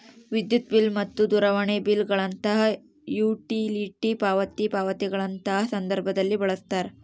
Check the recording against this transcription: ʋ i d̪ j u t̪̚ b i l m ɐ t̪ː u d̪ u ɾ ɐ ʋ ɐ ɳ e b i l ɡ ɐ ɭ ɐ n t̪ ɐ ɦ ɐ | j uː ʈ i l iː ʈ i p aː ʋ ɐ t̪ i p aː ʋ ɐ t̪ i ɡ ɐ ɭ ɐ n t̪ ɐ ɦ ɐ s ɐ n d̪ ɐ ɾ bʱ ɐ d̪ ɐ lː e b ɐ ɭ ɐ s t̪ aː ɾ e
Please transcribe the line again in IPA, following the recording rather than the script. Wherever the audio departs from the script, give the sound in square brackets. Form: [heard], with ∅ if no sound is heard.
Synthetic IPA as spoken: ʋ i d̪ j u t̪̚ b i l m ɐ t̪ː u d̪ u ɾ ɐ ʋ ɐ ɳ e b i l ɡ ɐ ɭ ɐ n t̪ ɐ ɦ ɐ | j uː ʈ i l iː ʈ i p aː ʋ ɐ t̪ i p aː ʋ ɐ t̪ i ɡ ɐ ɭ ɐ n t̪ ɐ ɦ ɐ s ɐ n d̪ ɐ ɾ bʱ ɐ d̪ ɐ lː [i] b ɐ ɭ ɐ s t̪ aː ɾ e